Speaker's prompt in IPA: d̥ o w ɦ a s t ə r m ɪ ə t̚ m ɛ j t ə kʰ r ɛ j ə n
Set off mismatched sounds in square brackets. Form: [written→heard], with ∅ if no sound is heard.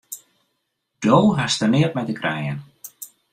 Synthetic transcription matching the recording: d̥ o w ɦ a s t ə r [m→n] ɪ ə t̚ m ɛ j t ə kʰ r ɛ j ə n